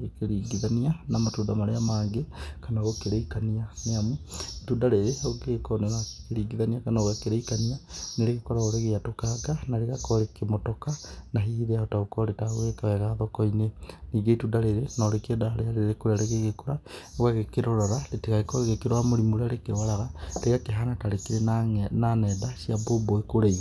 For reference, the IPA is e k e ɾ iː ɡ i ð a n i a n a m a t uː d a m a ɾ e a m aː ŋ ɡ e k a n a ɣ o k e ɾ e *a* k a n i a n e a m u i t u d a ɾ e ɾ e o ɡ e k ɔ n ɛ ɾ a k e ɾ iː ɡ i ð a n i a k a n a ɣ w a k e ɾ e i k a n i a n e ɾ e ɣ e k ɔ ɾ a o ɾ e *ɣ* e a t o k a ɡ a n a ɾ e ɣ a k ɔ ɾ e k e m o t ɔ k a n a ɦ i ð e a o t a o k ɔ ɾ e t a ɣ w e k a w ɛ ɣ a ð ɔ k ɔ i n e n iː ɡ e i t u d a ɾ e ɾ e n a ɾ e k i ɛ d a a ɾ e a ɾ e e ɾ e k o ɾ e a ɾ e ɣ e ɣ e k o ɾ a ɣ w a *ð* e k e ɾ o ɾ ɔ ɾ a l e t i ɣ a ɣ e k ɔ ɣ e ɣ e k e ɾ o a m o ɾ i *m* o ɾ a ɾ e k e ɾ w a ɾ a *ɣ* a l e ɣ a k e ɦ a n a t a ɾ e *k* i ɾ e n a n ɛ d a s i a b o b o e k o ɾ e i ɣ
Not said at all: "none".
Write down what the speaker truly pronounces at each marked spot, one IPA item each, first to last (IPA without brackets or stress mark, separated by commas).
i, ɣ, ɣ, m, ɣ, k